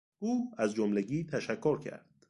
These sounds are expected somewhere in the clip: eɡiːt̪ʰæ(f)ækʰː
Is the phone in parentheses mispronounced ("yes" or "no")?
yes